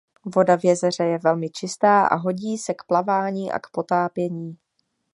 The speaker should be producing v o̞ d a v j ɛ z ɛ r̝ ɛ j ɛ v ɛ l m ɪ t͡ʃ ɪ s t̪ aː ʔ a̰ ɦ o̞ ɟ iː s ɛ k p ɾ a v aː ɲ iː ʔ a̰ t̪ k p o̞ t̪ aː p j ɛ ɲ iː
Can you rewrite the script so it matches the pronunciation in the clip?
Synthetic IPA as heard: v o̞ d a v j ɛ z ɛ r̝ ɛ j ɛ v ɛ l m ɪ t͡ʃ ɪ s t̪ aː ʔ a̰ ɦ o̞ ɟ iː s ɛ k p l a v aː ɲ iː ʔ a̰ k p o̞ t̪ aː p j ɛ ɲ iː